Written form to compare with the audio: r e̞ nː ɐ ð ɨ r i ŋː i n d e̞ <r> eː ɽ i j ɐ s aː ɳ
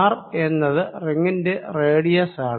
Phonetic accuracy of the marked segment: correct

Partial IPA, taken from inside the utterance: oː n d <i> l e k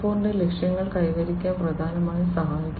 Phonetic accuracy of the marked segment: incorrect: e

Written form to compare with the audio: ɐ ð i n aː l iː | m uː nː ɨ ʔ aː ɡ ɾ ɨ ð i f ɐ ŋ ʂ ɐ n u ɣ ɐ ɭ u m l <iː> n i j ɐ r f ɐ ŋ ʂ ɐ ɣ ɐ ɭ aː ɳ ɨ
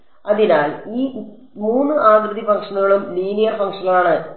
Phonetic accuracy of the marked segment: correct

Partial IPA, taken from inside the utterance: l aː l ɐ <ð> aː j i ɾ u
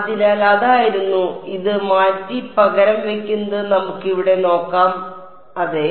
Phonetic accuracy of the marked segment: correct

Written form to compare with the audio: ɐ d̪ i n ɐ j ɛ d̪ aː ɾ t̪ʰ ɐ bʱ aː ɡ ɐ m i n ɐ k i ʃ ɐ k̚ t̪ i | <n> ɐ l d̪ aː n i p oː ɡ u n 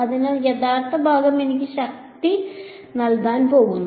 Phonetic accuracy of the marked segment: correct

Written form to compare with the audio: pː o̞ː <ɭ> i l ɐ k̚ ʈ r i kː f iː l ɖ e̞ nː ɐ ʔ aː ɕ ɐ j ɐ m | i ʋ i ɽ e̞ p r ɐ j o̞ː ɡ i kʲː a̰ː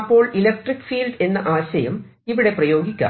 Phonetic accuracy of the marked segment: correct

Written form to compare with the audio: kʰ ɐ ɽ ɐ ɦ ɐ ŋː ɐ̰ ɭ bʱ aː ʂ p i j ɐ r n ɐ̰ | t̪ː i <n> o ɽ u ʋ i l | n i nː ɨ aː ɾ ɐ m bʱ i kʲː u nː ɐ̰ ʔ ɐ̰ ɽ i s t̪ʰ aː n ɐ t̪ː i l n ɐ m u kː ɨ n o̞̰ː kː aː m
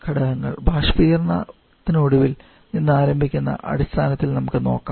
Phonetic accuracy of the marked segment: correct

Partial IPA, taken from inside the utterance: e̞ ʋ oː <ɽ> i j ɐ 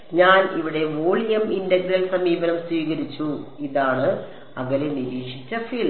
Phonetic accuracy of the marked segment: incorrect: ɭ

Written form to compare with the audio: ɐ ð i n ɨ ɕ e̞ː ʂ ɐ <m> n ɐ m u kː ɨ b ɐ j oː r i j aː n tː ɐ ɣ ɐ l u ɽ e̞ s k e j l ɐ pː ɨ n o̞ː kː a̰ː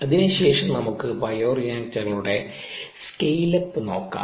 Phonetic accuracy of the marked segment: correct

